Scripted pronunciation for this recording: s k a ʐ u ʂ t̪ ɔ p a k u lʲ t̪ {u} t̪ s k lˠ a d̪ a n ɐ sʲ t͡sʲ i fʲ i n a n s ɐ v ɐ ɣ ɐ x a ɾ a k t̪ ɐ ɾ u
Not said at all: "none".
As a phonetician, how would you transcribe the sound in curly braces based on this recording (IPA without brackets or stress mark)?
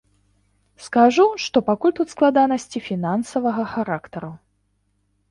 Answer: u